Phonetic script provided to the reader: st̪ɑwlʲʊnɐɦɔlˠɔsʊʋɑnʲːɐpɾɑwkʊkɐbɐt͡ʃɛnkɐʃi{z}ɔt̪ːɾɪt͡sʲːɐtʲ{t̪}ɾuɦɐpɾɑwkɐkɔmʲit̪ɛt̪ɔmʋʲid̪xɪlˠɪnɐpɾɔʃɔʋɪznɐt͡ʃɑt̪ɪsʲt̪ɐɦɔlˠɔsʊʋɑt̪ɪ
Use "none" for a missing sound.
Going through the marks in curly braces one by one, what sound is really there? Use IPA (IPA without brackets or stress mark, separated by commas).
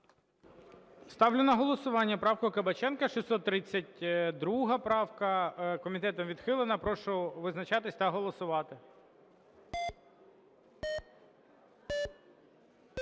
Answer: s, d̪